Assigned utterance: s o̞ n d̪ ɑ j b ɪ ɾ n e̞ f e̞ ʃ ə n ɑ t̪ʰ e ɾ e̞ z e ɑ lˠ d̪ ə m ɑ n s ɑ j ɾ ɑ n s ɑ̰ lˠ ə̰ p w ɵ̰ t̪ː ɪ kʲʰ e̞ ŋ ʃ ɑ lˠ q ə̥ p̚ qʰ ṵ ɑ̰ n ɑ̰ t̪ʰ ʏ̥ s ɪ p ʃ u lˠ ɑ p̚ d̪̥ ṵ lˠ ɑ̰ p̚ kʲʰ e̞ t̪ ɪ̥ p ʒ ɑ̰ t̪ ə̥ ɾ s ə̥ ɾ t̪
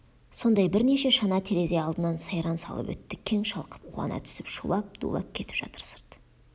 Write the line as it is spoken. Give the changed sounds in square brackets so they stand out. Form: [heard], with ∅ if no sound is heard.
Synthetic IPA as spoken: s o̞ n d̪ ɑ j b ɪ ɾ n e̞ [ʃ] e̞ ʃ [ɑ] n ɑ t̪ʰ e ɾ e̞ z e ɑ lˠ d̪ ə [n] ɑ n s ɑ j ɾ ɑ n s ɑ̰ lˠ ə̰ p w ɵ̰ t̪ː ɪ kʲʰ e̞ ŋ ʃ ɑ lˠ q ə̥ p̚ qʰ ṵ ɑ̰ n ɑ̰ t̪ʰ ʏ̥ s ɪ p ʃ u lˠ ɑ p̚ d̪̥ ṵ lˠ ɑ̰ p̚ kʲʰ e̞ t̪ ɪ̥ p ʒ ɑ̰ t̪ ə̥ ɾ s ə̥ ɾ t̪

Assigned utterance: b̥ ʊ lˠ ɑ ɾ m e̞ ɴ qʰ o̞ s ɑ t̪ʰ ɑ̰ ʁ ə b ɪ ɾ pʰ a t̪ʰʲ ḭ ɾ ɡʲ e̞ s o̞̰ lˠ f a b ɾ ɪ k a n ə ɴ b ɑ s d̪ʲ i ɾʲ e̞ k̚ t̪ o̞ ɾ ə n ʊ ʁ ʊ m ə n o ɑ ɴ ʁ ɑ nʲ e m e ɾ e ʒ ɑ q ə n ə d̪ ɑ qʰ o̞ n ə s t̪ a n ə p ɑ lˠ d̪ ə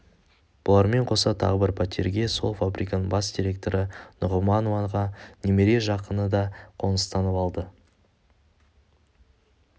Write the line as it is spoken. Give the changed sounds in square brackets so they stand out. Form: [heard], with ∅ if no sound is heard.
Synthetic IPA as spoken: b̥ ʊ lˠ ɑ ɾ m e̞ ɴ qʰ o̞ s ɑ t̪ʰ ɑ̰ ʁ ə b ɪ ɾ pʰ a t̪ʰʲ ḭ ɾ ɡʲ e̞ s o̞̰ lˠ f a b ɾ [i] k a n ə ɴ b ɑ s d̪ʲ i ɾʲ e̞ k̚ t̪ o̞ ɾ ə n ʊ ʁ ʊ m [ɑ] n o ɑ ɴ ʁ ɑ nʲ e m e ɾ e ʒ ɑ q ə n ə d̪ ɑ qʰ o̞ n ə s t̪ [ɑ] n ə p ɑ lˠ d̪ ə

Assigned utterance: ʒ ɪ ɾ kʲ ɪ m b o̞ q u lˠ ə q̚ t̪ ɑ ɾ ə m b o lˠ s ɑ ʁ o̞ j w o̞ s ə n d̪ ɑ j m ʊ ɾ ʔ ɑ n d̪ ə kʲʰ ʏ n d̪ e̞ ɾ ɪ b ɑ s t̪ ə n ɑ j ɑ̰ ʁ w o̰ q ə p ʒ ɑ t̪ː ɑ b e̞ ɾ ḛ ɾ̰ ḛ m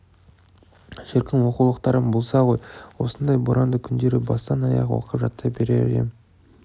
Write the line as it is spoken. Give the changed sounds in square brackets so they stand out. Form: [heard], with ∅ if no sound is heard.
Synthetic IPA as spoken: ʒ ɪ ɾ kʲ ɪ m [w] o̞ q u lˠ ə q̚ t̪ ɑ ɾ ə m b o lˠ s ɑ ʁ o̞ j w o̞ s ə n d̪ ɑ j [b] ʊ ɾ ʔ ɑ n d̪ ə kʲʰ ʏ n d̪ e̞ ɾ ɪ b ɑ s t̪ [ɑ] n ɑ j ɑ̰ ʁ w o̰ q ə p ʒ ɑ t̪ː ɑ b e̞ ɾ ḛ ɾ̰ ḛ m

